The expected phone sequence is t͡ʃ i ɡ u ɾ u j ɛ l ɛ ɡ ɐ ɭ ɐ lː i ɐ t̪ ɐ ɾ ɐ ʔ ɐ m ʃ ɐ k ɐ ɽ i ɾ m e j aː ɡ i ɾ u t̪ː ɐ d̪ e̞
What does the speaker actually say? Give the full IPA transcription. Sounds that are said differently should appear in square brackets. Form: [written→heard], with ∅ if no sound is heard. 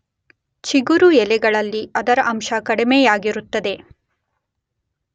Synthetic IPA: t͡ʃ i ɡ u ɾ u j ɛ l ɛ ɡ ɐ ɭ ɐ lː i ɐ [t̪→d̪] ɐ ɾ ɐ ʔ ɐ m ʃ ɐ k ɐ ɽ i [ɾ→∅] m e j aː ɡ i ɾ u t̪ː ɐ d̪ e̞